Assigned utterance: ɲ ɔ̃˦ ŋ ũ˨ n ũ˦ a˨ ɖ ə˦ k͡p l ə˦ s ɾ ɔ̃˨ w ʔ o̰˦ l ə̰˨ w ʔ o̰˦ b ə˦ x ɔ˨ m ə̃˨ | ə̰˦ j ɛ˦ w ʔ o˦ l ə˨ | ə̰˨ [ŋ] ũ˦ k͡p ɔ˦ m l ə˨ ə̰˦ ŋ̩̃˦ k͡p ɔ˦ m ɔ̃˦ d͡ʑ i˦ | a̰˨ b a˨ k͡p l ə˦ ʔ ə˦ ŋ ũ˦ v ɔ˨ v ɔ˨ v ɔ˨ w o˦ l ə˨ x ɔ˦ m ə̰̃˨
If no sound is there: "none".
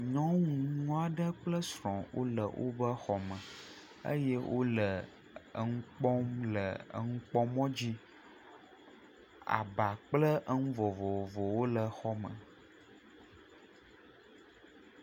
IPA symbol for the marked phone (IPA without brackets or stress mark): ŋ